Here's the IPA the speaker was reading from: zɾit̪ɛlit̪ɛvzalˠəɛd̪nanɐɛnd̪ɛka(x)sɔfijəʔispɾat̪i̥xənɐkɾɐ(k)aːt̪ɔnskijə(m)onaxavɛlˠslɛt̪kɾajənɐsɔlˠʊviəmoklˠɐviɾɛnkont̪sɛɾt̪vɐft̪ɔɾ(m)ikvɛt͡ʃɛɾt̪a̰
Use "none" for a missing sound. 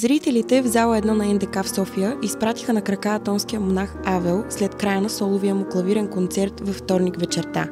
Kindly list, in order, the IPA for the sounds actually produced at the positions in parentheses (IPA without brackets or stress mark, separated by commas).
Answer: f, k, m, n